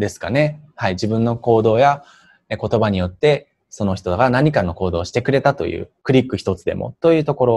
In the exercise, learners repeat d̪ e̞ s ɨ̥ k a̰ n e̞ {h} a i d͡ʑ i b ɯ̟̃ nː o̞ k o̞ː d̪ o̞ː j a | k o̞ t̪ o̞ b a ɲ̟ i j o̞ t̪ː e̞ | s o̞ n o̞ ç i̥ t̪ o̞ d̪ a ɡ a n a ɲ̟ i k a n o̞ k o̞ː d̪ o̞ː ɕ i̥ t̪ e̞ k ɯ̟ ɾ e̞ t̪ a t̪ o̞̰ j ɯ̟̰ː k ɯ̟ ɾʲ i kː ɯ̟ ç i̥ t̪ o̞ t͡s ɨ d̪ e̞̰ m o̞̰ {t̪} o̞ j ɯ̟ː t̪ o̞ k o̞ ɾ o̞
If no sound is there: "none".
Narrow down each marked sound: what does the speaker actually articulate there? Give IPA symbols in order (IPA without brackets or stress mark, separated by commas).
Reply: h, t̪